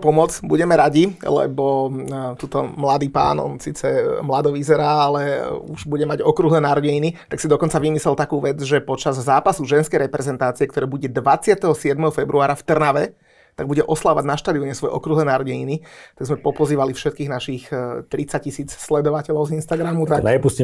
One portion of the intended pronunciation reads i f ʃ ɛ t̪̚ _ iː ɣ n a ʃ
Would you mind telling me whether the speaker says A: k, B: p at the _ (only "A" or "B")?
A